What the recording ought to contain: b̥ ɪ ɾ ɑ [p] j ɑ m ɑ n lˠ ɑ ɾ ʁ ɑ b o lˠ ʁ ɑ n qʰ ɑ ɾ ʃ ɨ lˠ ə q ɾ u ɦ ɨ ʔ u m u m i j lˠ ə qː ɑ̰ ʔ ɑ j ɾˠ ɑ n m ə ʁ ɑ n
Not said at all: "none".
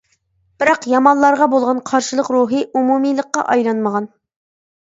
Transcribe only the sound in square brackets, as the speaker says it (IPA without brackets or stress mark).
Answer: q